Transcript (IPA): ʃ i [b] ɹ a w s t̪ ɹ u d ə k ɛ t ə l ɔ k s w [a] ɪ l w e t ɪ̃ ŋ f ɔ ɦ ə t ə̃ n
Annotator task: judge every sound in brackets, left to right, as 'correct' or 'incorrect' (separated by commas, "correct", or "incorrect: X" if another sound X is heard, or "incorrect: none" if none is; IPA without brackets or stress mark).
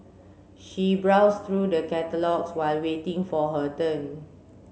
correct, correct